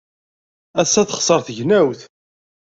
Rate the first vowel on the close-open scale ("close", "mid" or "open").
open